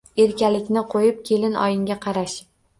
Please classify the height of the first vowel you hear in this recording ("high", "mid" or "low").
mid